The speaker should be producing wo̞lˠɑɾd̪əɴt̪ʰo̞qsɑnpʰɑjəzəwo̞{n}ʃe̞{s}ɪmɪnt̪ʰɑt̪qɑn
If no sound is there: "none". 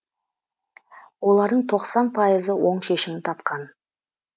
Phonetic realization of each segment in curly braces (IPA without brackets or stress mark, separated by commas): ɴ, ʃ